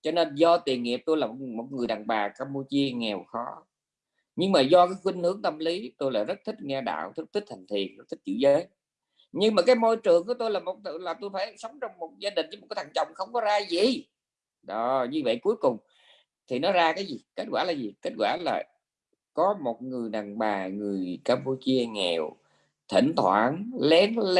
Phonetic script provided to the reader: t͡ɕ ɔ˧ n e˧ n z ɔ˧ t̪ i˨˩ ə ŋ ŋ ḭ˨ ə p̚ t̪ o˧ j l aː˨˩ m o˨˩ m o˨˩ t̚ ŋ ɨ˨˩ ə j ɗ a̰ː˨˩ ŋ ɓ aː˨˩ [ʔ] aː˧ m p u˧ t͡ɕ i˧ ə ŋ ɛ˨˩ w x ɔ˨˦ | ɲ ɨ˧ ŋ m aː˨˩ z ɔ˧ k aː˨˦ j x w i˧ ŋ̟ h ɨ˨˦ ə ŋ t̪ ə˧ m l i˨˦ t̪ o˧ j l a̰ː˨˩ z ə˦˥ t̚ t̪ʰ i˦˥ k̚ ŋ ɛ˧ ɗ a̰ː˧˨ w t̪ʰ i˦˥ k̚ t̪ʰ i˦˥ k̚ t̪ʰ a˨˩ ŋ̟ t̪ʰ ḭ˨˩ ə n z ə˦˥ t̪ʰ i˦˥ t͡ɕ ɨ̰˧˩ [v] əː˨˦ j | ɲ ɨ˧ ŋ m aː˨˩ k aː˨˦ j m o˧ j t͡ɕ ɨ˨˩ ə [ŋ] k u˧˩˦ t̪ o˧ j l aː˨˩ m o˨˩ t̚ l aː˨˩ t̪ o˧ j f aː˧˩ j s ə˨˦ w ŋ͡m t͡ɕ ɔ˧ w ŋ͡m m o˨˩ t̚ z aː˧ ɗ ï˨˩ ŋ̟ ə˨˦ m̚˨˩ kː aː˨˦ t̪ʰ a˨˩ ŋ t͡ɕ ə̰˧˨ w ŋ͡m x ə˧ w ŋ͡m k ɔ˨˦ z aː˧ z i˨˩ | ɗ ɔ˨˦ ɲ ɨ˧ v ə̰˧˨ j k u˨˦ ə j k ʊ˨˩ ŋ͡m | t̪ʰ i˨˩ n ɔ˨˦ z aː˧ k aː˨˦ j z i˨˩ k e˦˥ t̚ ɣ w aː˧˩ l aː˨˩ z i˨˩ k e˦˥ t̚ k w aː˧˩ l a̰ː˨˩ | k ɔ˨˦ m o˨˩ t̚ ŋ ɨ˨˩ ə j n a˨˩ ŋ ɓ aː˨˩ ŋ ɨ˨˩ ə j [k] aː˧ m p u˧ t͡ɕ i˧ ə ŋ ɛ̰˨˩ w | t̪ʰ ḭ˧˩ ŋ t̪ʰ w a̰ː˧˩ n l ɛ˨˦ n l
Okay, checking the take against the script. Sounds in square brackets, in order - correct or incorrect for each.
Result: incorrect, incorrect, correct, correct

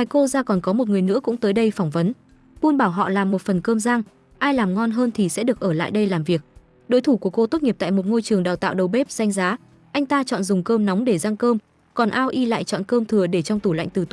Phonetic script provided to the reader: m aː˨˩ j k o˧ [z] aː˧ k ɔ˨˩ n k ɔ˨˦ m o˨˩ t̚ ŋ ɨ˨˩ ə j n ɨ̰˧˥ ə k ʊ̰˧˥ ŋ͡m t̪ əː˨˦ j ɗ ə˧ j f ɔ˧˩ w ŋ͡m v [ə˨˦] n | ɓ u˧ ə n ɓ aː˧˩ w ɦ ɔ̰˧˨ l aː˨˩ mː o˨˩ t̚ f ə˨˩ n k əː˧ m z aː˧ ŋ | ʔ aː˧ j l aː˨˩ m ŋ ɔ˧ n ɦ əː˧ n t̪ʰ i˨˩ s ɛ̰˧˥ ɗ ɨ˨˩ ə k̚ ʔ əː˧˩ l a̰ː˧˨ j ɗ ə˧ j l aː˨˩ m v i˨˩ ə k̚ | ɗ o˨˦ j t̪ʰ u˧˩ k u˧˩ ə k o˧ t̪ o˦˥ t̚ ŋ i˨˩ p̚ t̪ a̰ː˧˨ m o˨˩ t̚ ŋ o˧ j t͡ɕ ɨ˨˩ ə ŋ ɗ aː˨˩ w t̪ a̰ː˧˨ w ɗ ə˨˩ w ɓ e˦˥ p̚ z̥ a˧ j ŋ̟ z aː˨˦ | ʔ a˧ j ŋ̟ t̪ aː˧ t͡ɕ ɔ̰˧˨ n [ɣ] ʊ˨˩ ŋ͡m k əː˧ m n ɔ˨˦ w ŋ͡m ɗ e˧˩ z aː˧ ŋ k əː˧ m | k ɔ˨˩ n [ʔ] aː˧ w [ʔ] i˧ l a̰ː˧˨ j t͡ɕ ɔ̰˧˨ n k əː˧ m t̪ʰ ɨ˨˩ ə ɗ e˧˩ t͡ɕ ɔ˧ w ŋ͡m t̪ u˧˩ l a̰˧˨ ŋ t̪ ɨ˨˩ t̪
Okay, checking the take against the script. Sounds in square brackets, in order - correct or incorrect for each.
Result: correct, correct, incorrect, correct, correct

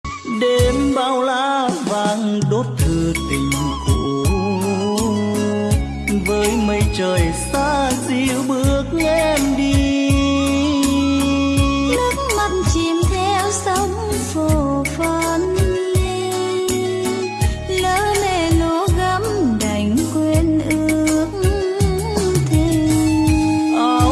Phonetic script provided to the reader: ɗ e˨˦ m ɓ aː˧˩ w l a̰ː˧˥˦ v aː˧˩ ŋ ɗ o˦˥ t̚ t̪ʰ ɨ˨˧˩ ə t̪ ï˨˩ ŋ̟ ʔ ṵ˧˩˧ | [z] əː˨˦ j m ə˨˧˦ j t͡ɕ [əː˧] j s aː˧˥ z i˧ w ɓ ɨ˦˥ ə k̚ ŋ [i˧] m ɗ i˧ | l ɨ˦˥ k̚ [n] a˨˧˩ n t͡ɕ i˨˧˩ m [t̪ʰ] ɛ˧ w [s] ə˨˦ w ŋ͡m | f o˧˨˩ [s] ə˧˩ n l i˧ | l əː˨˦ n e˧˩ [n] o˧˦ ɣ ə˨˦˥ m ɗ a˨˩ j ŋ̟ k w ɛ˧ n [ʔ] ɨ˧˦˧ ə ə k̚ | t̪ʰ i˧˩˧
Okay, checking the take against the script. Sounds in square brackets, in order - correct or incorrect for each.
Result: incorrect, incorrect, incorrect, incorrect, correct, correct, incorrect, correct, correct

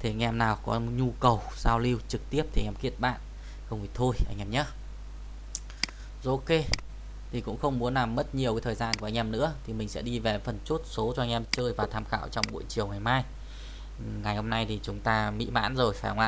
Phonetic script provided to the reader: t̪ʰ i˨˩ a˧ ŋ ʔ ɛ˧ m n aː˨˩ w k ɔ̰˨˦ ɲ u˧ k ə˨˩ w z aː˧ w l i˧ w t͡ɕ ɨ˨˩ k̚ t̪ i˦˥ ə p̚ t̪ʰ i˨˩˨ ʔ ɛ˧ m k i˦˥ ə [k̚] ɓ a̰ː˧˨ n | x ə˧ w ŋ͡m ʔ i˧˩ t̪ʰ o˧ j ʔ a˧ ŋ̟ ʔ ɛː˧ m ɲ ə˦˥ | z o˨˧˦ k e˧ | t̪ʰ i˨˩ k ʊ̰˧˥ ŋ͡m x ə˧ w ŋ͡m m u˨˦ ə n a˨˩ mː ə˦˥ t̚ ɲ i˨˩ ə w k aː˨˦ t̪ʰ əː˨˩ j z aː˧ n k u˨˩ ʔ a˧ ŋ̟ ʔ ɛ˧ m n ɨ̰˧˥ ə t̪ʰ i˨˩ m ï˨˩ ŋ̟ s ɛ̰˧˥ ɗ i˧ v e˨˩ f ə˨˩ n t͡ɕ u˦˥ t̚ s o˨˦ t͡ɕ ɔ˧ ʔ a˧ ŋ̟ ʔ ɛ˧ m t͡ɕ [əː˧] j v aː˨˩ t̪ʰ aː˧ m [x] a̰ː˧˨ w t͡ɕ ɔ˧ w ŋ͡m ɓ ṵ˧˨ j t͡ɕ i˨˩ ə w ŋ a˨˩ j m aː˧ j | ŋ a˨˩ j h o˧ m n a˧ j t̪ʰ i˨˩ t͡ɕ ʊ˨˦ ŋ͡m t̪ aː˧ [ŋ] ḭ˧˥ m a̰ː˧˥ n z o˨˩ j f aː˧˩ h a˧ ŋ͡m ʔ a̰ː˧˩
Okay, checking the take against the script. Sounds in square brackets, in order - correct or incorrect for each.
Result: incorrect, correct, correct, incorrect

